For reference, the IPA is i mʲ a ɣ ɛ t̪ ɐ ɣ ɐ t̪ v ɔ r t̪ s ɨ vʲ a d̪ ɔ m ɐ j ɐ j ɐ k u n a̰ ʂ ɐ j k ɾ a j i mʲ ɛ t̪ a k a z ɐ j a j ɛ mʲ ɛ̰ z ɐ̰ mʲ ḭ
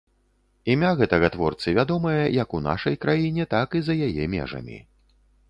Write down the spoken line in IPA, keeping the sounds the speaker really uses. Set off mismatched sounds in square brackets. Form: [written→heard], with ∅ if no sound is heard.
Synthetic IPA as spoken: i mʲ a ɣ ɛ t̪ ɐ ɣ ɐ t̪ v ɔ r t̪ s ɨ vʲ a d̪ ɔ m ɐ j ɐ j ɐ k u n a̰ ʂ ɐ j k ɾ a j i [mʲ→nʲ] ɛ t̪ a k [a→i] z ɐ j a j ɛ mʲ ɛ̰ [z→ʐ] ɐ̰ mʲ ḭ